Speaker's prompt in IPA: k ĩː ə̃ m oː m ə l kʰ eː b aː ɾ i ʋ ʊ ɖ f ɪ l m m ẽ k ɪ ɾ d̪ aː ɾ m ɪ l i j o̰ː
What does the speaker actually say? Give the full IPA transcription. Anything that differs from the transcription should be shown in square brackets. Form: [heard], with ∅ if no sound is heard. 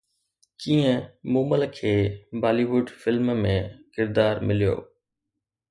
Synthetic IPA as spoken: k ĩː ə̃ m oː m ə l kʰ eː b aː [l] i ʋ ʊ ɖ f ɪ l m m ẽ k ɪ ɾ d̪ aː ɾ m ɪ l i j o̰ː